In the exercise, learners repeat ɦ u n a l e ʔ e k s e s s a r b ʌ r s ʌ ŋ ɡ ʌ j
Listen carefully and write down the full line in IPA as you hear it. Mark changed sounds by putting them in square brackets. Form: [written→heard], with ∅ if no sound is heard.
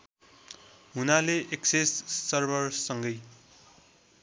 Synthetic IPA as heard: ɦ u n a l e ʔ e k s e s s [a→ʌ] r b ʌ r s ʌ ŋ ɡ ʌ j